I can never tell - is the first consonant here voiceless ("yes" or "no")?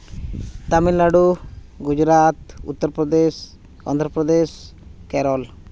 yes